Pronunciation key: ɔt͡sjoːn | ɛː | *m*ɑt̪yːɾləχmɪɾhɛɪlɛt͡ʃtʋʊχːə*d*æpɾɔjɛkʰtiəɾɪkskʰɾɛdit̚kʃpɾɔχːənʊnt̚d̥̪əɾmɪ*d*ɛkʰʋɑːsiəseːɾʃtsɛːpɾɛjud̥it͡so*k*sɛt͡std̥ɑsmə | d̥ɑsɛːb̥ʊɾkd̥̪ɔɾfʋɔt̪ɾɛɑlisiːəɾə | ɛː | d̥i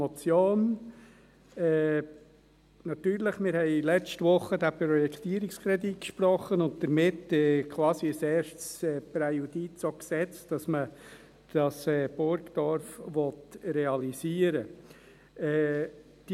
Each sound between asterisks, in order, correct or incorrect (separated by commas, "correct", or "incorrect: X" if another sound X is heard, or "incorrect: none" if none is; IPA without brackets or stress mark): incorrect: n, correct, incorrect: t, correct